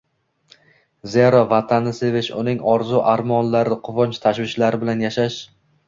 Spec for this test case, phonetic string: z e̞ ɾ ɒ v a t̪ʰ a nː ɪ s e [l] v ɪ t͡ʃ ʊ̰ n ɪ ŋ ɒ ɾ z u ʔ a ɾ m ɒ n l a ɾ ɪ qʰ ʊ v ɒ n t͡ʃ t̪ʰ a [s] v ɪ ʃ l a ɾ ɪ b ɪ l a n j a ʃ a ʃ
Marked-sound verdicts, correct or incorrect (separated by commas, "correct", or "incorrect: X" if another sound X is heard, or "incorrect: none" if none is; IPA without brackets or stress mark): incorrect: none, incorrect: ʃ